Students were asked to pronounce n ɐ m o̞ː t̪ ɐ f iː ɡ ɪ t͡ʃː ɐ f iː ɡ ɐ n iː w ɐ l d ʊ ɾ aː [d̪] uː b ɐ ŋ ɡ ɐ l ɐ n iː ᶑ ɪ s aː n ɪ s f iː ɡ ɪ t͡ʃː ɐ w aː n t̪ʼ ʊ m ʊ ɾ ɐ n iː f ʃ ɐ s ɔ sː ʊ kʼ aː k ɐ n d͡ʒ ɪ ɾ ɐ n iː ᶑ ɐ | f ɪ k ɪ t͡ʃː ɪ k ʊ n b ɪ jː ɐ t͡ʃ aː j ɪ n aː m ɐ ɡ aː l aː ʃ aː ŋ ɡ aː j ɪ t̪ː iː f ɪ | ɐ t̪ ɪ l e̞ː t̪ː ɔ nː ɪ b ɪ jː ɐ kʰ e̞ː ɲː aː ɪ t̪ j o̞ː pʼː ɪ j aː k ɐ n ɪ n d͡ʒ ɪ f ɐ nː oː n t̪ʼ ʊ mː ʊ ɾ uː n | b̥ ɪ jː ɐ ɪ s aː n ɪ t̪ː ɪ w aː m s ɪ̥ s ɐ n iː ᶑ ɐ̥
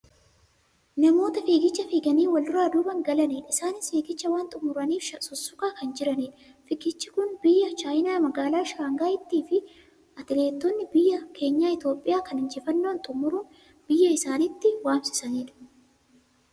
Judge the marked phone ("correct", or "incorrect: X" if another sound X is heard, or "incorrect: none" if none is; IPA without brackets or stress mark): correct